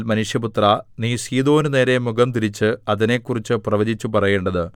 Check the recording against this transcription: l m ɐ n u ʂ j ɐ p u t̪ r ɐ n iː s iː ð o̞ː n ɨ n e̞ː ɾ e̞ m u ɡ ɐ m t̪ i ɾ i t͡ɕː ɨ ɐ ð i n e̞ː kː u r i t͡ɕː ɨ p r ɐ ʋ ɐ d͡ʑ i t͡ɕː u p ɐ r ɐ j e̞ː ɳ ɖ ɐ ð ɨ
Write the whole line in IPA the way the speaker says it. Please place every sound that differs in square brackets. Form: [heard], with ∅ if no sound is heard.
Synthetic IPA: l m ɐ n u ʂ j ɐ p u t̪ r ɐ n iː s iː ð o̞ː n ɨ n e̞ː ɾ e̞ m u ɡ ɐ m t̪ i ɾ i t͡ɕː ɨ ɐ ð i n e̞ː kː u r i t͡ɕː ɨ p r ɐ ʋ ɐ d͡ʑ i t͡ɕː u p ɐ r ɐ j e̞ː ɳ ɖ ɐ ð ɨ